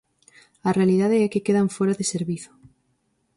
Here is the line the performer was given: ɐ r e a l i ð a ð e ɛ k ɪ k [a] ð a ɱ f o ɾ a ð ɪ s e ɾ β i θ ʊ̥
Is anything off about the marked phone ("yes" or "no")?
yes